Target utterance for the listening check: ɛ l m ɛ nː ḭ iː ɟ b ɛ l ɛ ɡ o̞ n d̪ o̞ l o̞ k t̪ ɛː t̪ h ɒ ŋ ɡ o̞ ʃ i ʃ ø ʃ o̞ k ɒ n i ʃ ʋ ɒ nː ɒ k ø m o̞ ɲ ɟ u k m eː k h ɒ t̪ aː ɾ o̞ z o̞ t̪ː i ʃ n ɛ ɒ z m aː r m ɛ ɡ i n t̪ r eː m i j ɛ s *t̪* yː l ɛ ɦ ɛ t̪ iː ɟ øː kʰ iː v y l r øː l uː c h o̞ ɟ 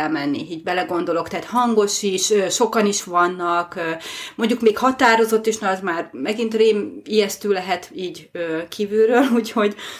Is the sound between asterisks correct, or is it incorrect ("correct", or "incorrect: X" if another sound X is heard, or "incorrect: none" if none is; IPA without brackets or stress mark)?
correct